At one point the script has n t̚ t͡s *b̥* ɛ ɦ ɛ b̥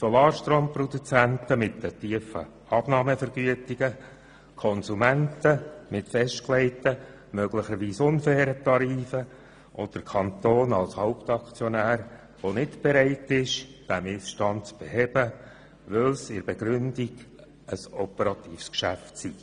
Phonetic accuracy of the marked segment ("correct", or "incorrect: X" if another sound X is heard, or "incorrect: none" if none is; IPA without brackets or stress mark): correct